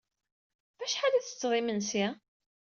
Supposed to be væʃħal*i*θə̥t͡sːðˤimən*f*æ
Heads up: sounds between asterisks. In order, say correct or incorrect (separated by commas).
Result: incorrect, incorrect